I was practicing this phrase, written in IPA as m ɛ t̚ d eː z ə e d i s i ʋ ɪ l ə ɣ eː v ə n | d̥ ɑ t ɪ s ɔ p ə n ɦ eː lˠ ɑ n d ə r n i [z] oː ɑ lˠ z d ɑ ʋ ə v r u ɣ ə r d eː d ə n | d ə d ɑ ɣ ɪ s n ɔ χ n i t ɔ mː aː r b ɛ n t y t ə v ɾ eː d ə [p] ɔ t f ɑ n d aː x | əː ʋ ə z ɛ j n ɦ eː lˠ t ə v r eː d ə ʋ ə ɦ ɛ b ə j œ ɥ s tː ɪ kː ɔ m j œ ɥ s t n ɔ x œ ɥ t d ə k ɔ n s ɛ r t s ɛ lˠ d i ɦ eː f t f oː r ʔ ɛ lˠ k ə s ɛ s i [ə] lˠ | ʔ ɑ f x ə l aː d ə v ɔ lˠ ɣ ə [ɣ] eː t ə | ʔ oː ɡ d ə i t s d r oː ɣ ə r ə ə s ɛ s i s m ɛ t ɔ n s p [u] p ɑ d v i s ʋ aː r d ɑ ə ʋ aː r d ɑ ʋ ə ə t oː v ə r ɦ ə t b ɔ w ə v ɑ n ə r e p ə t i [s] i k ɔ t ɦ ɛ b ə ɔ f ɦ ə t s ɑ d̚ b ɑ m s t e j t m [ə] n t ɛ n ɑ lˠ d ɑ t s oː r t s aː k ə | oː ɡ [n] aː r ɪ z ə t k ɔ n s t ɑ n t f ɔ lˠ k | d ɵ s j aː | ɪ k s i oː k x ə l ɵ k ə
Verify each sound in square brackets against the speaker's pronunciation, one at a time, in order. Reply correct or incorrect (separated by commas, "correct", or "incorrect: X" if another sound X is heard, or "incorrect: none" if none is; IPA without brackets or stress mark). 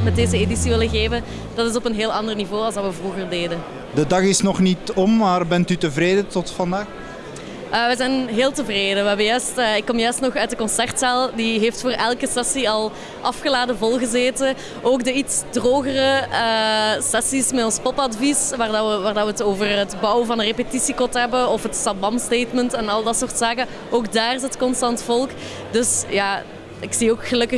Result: incorrect: v, incorrect: t, incorrect: ɑ, incorrect: z, incorrect: ɔ, correct, correct, incorrect: d